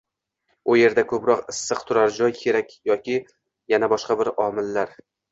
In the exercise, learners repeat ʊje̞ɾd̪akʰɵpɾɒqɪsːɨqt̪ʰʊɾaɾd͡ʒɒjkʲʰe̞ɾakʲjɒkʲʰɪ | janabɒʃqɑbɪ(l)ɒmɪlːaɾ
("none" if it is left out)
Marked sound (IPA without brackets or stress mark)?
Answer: ɾ